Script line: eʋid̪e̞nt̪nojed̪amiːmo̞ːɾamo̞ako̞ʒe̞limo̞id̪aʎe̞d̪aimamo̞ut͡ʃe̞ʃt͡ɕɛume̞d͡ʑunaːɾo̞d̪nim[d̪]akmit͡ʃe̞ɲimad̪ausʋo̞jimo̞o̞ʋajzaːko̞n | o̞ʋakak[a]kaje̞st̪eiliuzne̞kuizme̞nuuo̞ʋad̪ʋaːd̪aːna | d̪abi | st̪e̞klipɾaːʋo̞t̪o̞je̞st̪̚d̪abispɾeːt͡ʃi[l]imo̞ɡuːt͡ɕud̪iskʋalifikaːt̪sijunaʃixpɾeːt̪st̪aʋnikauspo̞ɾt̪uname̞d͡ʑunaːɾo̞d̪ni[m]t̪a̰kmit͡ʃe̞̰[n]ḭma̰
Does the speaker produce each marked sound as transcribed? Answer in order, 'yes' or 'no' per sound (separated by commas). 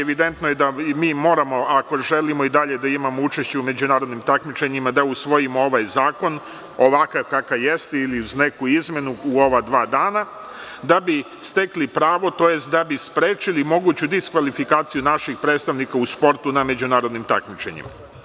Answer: no, yes, yes, yes, no